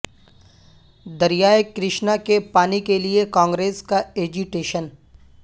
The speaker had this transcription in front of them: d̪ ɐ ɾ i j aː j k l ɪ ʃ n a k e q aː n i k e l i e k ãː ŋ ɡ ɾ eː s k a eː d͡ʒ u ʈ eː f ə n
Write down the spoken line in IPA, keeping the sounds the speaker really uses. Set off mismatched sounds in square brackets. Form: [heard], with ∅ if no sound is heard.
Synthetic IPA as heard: d̪ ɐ ɾ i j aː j k [ɾ] ɪ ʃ n a k e [p] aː n i k e l i e k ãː ŋ ɡ ɾ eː s k a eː d͡ʒ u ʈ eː [ʃ] ə n